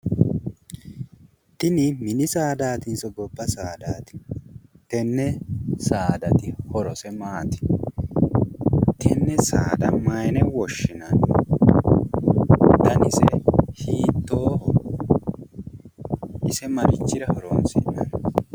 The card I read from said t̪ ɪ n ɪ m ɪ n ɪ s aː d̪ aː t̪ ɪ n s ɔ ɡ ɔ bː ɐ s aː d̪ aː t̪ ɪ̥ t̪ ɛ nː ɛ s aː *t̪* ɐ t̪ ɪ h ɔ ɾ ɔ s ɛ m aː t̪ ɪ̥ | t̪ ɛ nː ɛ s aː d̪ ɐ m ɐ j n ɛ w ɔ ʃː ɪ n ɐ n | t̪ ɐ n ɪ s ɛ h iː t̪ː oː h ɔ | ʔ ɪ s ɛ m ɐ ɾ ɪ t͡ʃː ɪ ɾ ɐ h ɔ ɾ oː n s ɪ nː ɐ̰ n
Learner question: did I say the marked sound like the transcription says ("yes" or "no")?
no